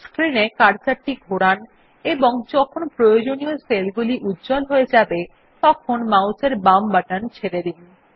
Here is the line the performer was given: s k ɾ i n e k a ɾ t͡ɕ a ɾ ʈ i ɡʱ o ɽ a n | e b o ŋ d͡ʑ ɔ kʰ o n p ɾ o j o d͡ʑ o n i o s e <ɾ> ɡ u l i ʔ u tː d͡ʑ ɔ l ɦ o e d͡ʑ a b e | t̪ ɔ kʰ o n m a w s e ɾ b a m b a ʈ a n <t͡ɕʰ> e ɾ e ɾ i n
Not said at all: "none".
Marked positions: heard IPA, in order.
l, t͡ɕʰ

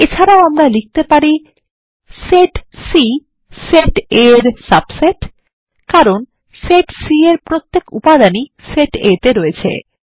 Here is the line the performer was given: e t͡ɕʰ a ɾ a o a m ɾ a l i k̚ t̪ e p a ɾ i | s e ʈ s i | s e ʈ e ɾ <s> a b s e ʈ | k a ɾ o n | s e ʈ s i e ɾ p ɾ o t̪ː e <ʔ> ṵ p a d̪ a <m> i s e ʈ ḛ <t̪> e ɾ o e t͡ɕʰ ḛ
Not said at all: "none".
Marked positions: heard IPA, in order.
s, k, n, t̪

